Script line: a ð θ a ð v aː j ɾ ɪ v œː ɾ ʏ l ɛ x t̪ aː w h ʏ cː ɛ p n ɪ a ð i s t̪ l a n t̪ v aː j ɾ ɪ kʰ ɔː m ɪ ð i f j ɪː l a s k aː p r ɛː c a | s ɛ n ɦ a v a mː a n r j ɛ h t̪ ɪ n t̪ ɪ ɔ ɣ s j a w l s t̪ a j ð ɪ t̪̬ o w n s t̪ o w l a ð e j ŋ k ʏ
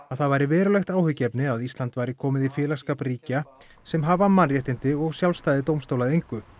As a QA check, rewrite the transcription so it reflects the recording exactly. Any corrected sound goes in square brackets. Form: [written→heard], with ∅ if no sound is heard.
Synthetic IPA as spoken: a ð θ a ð v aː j ɾ ɪ v [œː→ɛː] ɾ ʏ l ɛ x t̪ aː w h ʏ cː ɛ p n ɪ a ð i s t̪ l a n t̪ v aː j ɾ ɪ kʰ ɔː m ɪ ð i f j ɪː l a s k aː p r [ɛː→iː] c a | s ɛ [n→m] ɦ a v a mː a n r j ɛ h t̪ ɪ n t̪ ɪ ɔ ɣ s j a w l s t̪ a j ð ɪ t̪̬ o w [n→m] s t̪ o w l a ð e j ŋ k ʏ